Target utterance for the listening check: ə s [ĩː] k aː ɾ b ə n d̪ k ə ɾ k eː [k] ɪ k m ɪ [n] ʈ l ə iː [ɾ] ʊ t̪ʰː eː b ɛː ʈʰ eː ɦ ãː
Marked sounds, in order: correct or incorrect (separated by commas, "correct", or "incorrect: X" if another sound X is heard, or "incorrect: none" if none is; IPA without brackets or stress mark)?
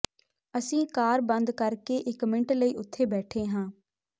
correct, incorrect: ʔ, incorrect: ɳ, incorrect: none